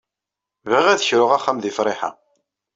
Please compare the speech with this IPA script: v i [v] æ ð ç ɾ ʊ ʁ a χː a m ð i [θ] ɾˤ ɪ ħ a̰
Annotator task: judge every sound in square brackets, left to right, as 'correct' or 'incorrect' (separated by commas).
incorrect, incorrect